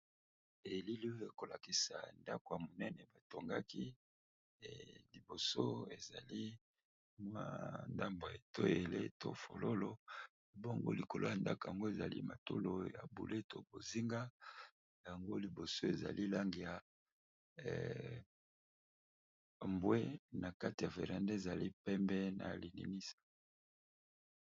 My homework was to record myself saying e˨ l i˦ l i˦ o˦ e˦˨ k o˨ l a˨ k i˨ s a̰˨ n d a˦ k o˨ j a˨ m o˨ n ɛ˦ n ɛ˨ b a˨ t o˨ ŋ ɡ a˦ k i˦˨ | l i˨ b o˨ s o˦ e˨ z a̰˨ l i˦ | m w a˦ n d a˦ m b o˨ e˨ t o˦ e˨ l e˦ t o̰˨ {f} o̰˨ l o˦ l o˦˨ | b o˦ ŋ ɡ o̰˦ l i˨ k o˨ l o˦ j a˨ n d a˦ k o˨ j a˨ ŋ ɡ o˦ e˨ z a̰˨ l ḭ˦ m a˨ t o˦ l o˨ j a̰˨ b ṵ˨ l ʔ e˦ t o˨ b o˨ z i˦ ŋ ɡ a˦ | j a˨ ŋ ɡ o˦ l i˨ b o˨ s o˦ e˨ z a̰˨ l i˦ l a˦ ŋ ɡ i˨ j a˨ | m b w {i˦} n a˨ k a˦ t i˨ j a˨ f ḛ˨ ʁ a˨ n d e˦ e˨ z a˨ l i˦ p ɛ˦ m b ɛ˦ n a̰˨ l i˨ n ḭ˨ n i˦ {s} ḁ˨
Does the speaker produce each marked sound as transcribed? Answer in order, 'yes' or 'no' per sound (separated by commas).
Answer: yes, no, yes